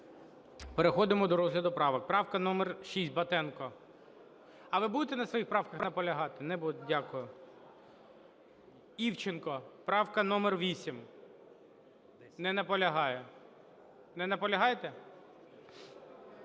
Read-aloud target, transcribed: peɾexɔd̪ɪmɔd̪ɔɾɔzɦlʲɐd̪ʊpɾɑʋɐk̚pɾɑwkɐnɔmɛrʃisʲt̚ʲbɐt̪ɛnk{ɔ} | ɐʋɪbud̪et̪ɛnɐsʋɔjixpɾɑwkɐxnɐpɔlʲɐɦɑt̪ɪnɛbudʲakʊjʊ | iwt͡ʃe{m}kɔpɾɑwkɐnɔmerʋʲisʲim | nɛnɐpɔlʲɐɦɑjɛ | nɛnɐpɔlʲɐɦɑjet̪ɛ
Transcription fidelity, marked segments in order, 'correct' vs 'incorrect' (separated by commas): correct, incorrect